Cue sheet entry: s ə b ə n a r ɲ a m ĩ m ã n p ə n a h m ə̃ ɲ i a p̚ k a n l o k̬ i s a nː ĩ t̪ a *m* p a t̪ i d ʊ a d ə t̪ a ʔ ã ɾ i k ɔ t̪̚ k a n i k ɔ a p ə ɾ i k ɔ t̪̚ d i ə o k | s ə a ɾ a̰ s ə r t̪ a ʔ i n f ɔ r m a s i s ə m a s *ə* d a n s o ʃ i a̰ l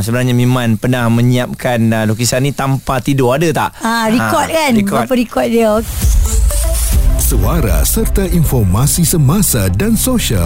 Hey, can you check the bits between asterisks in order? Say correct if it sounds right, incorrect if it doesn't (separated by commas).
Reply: correct, incorrect